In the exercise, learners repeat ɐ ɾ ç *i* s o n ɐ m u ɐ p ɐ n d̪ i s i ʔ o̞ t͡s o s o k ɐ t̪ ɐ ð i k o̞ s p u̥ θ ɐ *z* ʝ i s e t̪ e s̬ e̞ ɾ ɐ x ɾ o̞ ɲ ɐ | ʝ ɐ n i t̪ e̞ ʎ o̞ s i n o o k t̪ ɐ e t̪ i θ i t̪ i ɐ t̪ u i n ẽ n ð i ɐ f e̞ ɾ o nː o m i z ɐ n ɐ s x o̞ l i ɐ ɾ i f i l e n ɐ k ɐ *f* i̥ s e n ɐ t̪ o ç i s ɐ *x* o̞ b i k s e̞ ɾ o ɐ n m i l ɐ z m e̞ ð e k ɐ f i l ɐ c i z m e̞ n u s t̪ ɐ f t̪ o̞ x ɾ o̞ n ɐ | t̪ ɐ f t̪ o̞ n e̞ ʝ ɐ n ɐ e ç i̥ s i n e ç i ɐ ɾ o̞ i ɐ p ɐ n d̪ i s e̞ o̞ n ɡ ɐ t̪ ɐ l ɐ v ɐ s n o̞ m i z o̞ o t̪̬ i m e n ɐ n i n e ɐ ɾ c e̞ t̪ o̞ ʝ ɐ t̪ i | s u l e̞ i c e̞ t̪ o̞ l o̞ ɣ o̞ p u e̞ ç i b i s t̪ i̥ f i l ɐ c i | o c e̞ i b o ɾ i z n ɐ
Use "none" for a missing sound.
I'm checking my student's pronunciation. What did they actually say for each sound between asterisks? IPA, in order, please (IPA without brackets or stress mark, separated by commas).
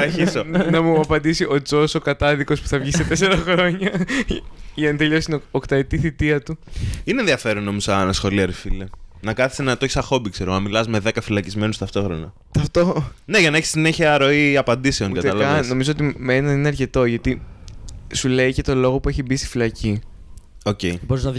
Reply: i, v, θ, x